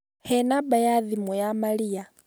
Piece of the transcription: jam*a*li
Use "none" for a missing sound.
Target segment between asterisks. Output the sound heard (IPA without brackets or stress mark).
a